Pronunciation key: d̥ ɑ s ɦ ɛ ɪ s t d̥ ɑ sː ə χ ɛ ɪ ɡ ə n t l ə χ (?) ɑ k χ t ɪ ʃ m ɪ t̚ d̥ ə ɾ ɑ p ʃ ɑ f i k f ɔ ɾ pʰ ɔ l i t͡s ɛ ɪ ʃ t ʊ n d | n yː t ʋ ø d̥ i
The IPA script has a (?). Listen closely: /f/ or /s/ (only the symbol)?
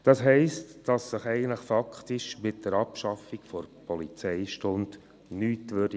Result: f